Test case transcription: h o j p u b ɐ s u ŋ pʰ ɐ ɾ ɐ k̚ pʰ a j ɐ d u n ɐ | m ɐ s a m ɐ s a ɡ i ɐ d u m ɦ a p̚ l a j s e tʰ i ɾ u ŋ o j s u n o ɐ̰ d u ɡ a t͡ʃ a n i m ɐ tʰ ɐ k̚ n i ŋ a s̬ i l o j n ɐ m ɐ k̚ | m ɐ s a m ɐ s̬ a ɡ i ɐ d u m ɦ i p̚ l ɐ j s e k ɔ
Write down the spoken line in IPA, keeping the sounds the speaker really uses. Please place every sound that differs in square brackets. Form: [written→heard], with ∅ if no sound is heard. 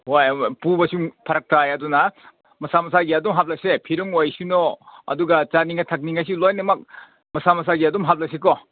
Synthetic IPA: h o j p u b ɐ s u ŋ pʰ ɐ ɾ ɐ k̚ [pʰ→tʰ] a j ɐ d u n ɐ | m ɐ s a m ɐ s a ɡ i ɐ d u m ɦ a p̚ l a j s e [tʰ→pʰ] i ɾ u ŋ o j s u n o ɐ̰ d u ɡ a t͡ʃ a n i [m→ŋ] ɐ tʰ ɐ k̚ n i ŋ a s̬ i l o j n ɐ m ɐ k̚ | m ɐ s a m ɐ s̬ a ɡ i ɐ d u m ɦ [i→a] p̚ l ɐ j s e k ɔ